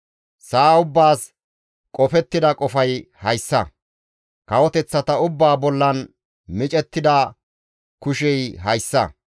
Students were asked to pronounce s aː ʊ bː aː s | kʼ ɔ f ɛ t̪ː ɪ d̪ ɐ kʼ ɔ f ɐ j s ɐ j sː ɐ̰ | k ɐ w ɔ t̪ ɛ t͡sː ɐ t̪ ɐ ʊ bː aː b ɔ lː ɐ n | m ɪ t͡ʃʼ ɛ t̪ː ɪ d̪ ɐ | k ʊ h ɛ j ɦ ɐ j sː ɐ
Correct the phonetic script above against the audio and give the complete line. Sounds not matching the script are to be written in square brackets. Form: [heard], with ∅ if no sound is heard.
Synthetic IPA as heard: s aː ʊ bː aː s | kʼ ɔ f ɛ t̪ː ɪ d̪ ɐ kʼ ɔ f ɐ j [h] ɐ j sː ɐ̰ | k ɐ w ɔ t̪ ɛ t͡sː ɐ t̪ ɐ ʊ bː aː b ɔ lː ɐ n | m ɪ t͡ʃʼ ɛ t̪ː ɪ d̪ ɐ | k ʊ [ʃ] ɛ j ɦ ɐ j sː ɐ